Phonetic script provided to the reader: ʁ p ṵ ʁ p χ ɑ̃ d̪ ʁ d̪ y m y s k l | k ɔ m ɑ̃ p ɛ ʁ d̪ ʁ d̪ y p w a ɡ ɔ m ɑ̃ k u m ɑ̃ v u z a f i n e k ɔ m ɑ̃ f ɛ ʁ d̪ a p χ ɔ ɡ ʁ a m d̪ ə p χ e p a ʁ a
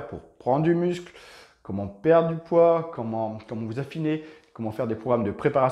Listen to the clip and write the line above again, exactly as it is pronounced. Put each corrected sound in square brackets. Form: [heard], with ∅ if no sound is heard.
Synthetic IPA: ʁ p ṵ ʁ p χ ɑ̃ d̪ ʁ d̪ y m y s k l | k ɔ m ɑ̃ p ɛ ʁ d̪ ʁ d̪ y p w a [k] ɔ m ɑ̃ k [ɔ] m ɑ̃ v u z a f i n e k ɔ m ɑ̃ f ɛ ʁ d̪ [e] p χ ɔ ɡ ʁ a m d̪ ə p χ e p a ʁ a